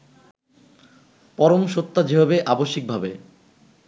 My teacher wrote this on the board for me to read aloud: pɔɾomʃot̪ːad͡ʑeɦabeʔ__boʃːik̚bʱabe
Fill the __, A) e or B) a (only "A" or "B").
B